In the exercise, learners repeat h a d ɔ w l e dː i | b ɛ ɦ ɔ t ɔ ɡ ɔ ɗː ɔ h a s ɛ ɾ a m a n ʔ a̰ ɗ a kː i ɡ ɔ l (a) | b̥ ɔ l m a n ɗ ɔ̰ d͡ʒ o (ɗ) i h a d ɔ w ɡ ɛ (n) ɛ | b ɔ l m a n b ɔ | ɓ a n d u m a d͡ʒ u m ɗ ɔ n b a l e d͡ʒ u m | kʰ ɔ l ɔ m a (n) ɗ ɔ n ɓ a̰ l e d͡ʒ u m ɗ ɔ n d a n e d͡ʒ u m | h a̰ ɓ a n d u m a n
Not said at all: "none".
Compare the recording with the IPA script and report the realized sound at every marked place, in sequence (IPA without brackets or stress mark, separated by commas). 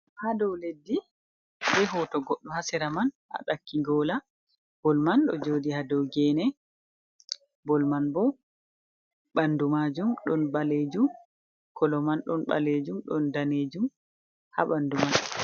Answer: a, d, n, n